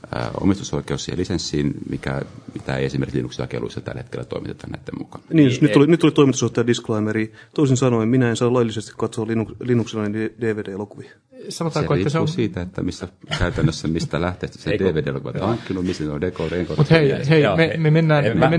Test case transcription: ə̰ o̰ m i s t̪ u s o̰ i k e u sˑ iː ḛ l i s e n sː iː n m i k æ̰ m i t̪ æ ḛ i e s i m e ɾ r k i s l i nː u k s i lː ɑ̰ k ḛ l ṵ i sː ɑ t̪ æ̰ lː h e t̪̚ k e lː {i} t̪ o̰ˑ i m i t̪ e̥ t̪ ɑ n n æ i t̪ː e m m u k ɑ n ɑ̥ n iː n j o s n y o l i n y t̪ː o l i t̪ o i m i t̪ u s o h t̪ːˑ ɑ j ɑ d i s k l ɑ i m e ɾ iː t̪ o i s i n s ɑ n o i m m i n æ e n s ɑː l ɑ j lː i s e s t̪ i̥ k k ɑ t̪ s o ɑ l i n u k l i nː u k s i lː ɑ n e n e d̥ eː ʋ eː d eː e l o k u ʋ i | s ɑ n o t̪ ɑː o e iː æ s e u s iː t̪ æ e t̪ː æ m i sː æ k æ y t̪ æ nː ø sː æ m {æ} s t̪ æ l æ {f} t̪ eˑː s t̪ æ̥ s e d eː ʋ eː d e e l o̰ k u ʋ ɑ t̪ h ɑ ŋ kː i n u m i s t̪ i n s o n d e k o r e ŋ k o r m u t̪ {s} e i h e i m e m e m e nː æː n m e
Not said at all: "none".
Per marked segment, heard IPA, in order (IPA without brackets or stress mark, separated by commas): æ, i, h, h